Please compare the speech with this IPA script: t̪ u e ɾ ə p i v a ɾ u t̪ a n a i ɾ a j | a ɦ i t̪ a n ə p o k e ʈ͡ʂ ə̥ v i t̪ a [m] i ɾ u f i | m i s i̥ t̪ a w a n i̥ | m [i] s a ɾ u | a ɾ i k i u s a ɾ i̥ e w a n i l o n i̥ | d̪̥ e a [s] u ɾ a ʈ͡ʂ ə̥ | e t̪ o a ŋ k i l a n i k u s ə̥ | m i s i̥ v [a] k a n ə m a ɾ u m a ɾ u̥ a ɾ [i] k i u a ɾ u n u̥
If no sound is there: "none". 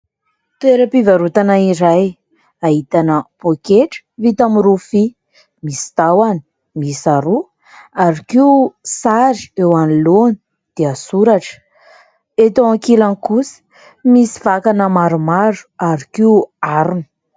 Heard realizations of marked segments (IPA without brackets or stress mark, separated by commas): m, i, s, a, i